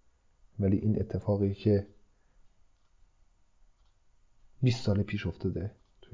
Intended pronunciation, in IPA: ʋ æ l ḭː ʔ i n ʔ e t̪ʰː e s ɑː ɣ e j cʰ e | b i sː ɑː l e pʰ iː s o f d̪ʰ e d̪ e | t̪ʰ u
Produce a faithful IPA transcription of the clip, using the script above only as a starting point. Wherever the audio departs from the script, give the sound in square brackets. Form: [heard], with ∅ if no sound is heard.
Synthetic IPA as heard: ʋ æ l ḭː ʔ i n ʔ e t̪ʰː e [f] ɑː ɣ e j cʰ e | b i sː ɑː l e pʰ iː [ʃ] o f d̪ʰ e d̪ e | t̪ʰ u